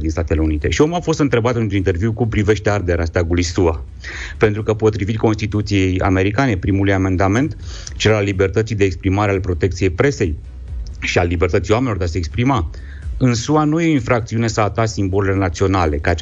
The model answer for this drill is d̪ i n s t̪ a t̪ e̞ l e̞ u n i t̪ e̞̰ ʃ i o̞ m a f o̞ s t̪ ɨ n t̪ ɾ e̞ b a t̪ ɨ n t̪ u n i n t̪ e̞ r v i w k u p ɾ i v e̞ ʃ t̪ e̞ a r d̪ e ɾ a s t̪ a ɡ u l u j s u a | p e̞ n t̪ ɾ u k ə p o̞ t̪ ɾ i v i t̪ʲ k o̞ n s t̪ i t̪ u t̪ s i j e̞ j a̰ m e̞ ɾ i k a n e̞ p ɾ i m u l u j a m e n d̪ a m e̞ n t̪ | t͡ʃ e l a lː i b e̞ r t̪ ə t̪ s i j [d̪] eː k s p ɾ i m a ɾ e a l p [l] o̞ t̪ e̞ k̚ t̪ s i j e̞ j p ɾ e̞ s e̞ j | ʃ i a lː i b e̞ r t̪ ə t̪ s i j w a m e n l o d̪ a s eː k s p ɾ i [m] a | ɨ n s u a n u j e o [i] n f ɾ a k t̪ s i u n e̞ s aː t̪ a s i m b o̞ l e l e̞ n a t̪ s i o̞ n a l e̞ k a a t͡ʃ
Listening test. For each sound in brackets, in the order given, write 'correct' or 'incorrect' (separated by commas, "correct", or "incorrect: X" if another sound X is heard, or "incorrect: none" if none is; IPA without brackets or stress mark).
correct, incorrect: ɾ, correct, correct